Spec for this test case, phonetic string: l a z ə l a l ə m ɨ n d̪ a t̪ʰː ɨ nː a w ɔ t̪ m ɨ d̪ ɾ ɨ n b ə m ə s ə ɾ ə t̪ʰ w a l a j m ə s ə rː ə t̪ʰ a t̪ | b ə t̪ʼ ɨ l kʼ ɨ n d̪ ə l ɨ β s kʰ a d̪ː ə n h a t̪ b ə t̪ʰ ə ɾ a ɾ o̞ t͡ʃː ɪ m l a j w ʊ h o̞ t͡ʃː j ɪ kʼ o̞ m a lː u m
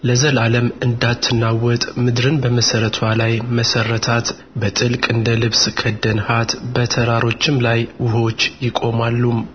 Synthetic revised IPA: l ə z ə l a l ə m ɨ n d̪ a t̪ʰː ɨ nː a w ɔ t̪ʼ m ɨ d̪ ɾ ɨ n b ə m ə s ə ɾ ə t̪ʰ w a l a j m ə s ə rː ə t̪ʰ a t̪ | b ə t̪ʼ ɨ l kʼ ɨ n d̪ ə l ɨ β s kʰ ə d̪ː ə n h a t̪ b ə t̪ʰ ə ɾ a ɾ o̞ t͡ʃː ɪ m l a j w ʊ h o̞ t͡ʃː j ɪ kʼ o̞ m a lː u m